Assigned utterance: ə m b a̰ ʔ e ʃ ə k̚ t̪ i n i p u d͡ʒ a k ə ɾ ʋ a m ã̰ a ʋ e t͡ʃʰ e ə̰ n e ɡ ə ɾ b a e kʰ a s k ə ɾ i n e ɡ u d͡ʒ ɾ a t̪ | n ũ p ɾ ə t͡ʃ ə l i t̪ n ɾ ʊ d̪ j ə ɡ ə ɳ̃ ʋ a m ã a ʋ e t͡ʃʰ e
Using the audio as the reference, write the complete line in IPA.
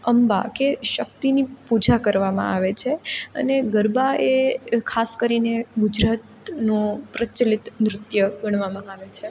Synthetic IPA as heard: ə m b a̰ k e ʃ ə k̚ t̪ i n i p u d͡ʒ a k ə ɾ ʋ a m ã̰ a ʋ e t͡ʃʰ e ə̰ n e ɡ ə ɾ b a e kʰ a s k ə ɾ i n e ɡ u d͡ʒ ɾ a t̪ | n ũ p ɾ ə t͡ʃ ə l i t̪ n ɾ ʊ t̪ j ə ɡ ə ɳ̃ ʋ a m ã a ʋ e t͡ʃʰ e